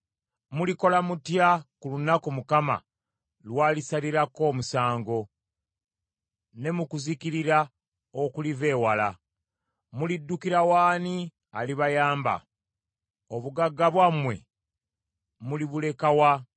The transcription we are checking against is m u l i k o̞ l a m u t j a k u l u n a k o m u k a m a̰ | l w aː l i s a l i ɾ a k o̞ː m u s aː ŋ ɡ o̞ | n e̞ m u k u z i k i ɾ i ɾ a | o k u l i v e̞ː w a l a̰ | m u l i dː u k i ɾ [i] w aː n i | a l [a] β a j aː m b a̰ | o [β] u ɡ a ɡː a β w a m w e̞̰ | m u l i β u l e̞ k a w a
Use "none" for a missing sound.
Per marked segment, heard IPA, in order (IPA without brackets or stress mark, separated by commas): a, i, β